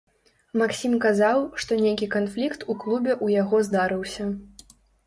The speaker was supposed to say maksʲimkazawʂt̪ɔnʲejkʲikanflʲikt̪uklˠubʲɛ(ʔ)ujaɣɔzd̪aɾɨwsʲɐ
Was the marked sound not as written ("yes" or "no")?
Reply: no